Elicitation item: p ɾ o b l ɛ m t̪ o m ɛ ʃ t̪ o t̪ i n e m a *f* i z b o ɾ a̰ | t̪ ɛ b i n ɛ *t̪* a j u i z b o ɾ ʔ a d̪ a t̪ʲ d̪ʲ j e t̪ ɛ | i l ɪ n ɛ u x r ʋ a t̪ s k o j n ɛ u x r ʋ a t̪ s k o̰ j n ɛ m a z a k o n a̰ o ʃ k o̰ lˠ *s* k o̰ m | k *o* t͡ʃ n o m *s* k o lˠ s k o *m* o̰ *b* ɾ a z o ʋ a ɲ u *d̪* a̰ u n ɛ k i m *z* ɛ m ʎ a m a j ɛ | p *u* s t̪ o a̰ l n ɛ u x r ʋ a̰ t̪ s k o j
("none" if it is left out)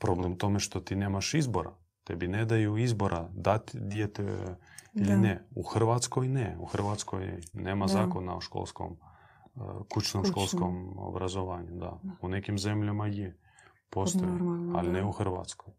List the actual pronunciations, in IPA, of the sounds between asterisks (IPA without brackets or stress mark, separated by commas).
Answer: ʃ, d̪, s, u, ʃ, m, b, d̪, z, o